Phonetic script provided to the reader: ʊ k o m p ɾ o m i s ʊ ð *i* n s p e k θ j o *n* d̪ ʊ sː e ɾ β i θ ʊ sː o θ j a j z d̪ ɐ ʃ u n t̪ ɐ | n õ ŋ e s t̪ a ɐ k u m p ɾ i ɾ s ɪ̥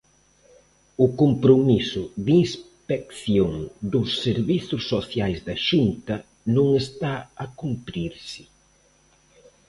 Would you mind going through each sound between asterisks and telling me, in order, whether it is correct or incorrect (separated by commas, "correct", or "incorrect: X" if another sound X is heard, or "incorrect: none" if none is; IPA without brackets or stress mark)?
correct, incorrect: ŋ